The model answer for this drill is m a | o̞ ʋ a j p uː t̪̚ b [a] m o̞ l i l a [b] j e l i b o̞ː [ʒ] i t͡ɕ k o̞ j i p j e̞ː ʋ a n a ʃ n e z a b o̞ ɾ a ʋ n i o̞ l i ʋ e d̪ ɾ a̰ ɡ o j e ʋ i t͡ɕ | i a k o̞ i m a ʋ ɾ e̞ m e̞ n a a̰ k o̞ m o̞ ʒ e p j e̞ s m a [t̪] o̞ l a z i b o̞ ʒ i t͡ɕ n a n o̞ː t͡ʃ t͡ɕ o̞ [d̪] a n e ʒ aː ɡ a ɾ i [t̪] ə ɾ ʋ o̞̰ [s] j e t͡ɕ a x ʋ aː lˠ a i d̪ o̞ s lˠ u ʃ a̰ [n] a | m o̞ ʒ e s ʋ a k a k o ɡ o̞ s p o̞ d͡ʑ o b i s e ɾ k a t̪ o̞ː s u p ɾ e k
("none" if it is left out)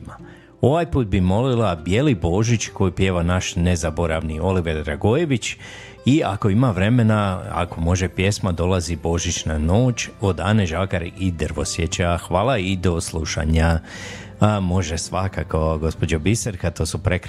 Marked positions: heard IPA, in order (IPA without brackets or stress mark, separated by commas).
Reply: i, b, ʒ, d̪, d̪, d̪, s, ɲ